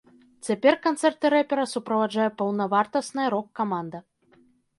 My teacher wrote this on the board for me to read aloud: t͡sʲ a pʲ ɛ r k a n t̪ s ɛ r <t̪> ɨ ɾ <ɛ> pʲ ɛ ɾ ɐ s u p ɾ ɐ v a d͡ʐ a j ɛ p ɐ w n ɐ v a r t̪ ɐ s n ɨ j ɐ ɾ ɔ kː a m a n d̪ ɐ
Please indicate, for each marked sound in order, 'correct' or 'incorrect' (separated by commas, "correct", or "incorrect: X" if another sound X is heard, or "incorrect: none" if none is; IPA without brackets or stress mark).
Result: correct, correct